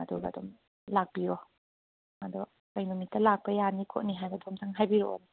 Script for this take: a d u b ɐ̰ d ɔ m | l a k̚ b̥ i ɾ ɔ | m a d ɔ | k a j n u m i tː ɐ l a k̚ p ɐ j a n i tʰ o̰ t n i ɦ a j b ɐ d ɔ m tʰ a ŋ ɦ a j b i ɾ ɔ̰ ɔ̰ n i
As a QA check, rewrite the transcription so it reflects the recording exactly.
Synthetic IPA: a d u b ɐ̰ d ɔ m | l a k̚ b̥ i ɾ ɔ | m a d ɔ | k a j n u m i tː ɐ l a k̚ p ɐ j a n i kʰ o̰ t n i ɦ a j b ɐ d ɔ m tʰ a ŋ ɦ a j b i ɾ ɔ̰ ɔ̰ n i